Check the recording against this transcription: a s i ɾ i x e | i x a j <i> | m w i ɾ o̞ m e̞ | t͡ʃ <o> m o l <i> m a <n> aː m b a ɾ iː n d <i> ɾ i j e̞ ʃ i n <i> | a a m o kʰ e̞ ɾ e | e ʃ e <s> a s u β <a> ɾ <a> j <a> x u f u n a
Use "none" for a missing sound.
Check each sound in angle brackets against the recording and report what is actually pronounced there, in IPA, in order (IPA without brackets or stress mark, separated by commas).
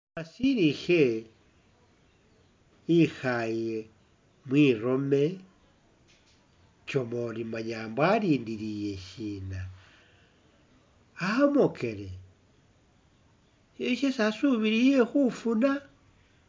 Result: e, o, i, ɲ, i, a, s, i, i, e